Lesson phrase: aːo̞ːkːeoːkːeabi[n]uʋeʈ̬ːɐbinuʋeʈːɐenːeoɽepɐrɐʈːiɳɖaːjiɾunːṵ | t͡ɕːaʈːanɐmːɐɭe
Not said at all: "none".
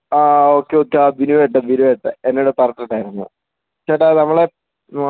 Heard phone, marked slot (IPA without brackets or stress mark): n